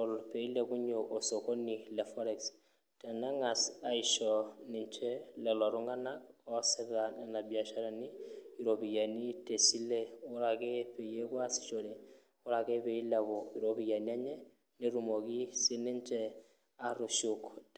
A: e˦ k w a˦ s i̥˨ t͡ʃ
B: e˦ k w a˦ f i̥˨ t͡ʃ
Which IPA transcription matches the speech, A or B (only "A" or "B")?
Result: A